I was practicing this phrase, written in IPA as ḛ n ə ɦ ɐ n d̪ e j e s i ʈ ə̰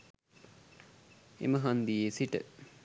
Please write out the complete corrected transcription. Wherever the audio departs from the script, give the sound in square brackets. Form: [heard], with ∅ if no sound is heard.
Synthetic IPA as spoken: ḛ [m] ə ɦ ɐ n d̪ [i] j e s i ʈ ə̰